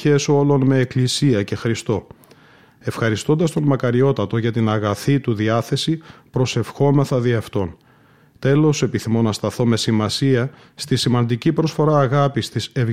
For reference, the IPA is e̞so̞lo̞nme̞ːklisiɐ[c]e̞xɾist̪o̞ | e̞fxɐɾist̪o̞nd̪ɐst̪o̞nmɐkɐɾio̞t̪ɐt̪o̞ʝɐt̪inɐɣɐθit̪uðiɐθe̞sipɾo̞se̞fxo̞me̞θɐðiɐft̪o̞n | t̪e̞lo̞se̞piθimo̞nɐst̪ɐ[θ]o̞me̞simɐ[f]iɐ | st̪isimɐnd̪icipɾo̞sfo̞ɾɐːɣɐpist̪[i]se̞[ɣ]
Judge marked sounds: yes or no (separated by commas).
yes, yes, no, yes, no